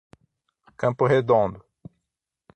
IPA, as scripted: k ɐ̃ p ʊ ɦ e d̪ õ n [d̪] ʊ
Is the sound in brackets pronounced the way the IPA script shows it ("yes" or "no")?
yes